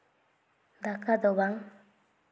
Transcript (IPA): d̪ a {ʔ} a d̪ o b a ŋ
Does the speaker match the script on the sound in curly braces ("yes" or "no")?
no